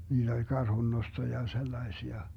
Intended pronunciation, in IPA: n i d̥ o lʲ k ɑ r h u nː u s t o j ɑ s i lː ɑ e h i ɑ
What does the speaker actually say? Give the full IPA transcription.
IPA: n iː d̥ o lʲ k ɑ r h u nː o s t o j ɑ s e lː ɑ e s i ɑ